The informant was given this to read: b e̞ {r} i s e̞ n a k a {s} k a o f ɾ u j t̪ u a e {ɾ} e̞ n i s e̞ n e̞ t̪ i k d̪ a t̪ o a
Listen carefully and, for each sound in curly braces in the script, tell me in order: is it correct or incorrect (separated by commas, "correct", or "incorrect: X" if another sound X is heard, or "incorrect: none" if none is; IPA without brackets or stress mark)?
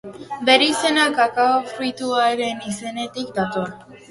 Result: incorrect: ɾ, incorrect: none, correct